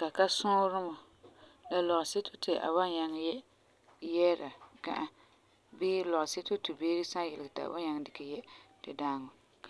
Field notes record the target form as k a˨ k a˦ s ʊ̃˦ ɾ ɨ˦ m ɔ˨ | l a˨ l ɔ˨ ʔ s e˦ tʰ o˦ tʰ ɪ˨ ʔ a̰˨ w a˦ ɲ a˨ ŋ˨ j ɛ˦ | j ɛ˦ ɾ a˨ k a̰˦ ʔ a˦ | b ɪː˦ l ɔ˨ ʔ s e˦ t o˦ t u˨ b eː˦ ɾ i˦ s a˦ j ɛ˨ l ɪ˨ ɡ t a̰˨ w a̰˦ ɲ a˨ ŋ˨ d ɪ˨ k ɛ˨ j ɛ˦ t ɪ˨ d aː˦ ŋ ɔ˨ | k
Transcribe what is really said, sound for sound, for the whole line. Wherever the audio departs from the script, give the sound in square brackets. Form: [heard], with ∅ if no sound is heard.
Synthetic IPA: k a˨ k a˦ s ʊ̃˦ ɾ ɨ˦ m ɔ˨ | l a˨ l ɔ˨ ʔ s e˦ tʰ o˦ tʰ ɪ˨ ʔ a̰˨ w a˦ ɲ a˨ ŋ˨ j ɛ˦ | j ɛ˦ ɾ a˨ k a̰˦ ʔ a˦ | b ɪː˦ l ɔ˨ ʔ s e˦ t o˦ t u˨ b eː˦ ɾ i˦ s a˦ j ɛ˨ l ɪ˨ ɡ t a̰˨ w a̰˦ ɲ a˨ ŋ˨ d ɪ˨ k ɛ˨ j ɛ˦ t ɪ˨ d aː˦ ŋ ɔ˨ | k

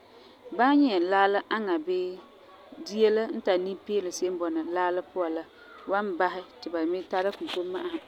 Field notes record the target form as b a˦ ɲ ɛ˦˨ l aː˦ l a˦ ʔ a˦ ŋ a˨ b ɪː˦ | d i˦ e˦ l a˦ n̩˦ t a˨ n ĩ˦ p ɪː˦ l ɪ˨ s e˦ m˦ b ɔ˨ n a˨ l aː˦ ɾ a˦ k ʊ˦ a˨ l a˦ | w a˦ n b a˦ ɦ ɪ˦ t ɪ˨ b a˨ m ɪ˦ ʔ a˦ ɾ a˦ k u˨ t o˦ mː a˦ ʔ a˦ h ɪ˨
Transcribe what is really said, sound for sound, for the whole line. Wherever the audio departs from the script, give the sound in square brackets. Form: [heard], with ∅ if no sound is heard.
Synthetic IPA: b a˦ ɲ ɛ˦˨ l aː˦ l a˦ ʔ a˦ ŋ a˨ b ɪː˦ | d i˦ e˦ l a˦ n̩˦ t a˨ n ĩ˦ p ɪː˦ l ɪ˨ s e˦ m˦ b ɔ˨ n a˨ l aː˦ [l] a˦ [p] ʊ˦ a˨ l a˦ | w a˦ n b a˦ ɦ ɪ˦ t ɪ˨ b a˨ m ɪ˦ [t] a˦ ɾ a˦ k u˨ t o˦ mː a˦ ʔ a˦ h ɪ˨

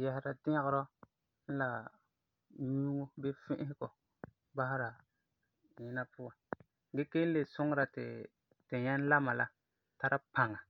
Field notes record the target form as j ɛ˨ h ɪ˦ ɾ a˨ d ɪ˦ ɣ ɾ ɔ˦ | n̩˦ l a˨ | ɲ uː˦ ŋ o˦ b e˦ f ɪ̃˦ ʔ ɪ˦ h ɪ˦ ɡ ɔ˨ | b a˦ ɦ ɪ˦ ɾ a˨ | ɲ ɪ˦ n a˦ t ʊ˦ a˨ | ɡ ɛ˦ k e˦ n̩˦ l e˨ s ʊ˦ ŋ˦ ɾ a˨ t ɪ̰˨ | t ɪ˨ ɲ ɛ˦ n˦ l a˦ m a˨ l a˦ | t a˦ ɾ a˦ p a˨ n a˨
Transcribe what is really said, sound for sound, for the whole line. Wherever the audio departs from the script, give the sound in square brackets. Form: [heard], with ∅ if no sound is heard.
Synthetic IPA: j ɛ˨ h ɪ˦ ɾ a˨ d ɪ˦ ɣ ɾ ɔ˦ | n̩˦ l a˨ | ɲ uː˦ ŋ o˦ b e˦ f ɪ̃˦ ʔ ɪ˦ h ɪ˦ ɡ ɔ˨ | b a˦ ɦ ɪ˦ ɾ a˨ | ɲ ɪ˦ n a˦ [p] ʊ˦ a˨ | ɡ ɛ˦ k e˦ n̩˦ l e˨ s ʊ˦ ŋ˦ ɾ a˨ t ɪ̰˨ | t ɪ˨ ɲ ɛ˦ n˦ l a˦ m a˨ l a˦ | t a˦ ɾ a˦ p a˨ [ŋ] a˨

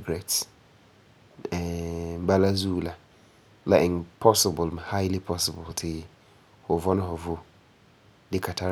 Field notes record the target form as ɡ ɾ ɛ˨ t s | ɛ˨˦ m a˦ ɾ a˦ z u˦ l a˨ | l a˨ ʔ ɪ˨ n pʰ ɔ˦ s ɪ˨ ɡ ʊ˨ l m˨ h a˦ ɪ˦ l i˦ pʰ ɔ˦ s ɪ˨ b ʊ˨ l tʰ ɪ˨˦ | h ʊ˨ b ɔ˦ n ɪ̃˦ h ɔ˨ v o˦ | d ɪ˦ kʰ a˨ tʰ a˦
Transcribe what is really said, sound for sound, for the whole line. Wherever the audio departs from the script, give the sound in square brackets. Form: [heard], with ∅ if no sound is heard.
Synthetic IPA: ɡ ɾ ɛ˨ t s | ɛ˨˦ [b] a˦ [l] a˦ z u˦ l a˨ | l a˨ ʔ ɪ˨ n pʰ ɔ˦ s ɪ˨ [b] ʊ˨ l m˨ h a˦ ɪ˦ l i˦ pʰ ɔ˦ s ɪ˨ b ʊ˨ l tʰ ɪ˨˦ | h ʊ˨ [v] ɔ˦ n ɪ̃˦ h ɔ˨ v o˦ | d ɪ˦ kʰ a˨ tʰ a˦

